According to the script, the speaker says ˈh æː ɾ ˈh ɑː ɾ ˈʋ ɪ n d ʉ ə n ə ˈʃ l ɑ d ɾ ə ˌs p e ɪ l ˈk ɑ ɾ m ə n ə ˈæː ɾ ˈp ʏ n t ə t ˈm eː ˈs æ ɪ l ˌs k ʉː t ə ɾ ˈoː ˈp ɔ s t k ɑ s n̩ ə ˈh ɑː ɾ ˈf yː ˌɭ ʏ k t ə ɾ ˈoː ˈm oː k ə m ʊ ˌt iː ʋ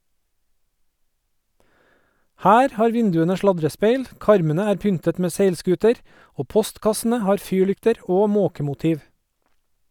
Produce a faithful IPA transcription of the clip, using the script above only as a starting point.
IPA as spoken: ˈh æː ɾ ˈh ɑː ɾ ˈʋ ɪ n d ʉ ə n ə ˈʃ l ɑ d ɾ ə ˌs p e ɪ l ˈk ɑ ɾ m ə n ə ˈæː ɾ ˈp ʏ n t ə t ˈm eː ˈs e ɪ l ˌs k ʉː t ə ɾ ˈoː ˈp ɔ s t k ɑ s n̩ ə ˈh ɑː ɾ ˈf yː ˌɭ ʏ k t ə ɾ ˈoː ˈm oː k ə m ʊ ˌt iː ʋ